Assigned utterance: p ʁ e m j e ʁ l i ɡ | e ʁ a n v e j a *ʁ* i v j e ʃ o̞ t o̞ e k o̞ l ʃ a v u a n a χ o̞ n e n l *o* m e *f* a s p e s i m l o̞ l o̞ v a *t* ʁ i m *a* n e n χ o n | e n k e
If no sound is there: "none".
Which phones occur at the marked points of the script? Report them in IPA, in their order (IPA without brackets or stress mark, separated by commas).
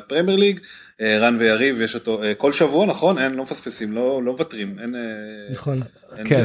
ʁ, o, f, t, e